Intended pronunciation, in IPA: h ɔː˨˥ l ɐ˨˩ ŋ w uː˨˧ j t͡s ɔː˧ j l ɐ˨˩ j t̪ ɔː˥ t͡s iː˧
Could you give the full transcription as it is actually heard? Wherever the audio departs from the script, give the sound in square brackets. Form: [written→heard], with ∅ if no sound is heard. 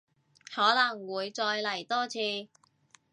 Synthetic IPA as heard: h ɔː˨˥ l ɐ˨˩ ŋ w uː˨˧ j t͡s ɔː˧ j l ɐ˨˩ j t̪ ɔː˥ [t͡s→t͡sʰ] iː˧